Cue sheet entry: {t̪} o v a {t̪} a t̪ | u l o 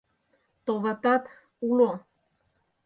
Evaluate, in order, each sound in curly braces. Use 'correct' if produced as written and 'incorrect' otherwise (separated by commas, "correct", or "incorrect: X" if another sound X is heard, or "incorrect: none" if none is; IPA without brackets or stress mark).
correct, correct